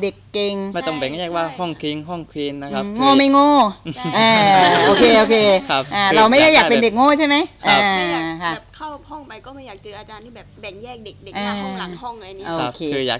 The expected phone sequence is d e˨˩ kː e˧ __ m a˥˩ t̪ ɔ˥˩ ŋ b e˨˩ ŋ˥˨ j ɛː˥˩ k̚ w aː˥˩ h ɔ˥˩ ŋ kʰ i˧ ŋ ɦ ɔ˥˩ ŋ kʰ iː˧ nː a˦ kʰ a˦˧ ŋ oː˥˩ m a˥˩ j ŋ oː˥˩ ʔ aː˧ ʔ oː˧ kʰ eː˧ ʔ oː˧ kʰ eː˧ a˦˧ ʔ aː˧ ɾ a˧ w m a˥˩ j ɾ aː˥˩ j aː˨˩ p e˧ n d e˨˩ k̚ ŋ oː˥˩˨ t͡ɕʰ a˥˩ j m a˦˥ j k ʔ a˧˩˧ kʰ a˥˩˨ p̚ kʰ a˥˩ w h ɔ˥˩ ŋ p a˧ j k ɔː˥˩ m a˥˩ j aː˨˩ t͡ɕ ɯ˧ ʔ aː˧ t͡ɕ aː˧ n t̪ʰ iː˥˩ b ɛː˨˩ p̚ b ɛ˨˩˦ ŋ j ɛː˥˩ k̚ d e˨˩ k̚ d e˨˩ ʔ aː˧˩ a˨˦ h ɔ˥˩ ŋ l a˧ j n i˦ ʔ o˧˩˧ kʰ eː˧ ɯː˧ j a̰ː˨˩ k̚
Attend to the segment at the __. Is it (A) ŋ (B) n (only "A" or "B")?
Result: A